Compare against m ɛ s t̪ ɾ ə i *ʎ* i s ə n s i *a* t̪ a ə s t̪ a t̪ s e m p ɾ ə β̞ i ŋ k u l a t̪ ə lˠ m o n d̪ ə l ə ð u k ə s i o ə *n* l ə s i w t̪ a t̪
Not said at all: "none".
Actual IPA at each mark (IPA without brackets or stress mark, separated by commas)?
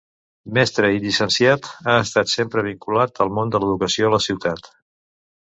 ʎ, a, none